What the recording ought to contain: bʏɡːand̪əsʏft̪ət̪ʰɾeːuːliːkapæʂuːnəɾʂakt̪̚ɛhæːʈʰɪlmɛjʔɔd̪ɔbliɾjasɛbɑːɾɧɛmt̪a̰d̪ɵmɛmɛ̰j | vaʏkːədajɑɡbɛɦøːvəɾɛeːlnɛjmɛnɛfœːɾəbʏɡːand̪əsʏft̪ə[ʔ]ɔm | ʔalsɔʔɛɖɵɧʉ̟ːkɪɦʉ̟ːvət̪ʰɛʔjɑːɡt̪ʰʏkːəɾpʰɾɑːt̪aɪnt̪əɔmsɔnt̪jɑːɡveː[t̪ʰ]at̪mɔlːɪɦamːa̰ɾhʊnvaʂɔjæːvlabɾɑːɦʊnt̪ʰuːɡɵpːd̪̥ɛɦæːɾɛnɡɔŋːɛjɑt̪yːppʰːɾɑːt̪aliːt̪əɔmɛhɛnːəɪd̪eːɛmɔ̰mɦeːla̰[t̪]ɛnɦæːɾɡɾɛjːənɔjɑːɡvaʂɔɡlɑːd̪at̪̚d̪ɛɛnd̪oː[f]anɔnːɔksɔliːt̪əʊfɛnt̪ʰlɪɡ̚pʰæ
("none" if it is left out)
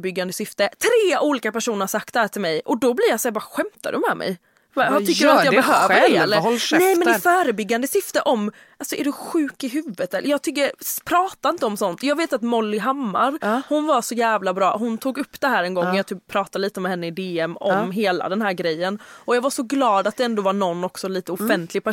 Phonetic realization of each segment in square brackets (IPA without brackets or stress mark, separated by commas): ʔ, t̪, d̪, v